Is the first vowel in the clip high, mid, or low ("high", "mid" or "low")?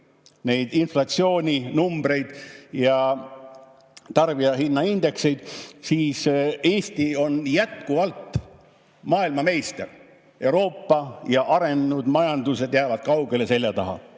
mid